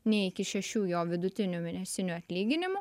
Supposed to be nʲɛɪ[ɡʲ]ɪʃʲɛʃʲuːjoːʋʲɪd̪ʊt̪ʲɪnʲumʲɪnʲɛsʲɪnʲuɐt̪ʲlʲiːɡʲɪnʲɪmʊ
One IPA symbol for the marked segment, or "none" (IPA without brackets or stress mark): kʲ